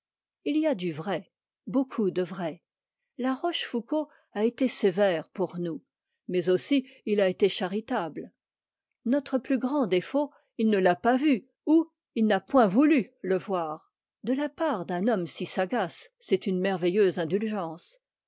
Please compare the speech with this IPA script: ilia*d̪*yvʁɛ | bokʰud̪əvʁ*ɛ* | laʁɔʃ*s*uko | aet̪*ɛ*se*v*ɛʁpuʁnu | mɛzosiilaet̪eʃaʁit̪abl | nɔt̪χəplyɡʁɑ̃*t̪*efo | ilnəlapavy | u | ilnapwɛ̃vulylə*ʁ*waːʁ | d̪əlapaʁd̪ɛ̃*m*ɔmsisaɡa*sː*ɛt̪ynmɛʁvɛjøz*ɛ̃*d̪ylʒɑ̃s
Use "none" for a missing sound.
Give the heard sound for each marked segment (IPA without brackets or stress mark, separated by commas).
d̪, ɛ, f, e, v, d̪, v, n, sː, ɛ̃